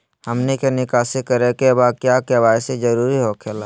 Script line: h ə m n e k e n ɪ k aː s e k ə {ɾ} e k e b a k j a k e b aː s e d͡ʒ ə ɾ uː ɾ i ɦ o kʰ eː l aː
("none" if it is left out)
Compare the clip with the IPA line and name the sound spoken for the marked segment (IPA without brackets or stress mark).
ɾ